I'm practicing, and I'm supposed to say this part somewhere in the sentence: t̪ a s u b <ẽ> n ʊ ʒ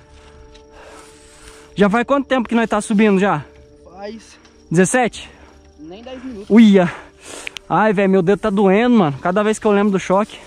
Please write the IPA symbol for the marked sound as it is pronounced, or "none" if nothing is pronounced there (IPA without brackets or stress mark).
ĩ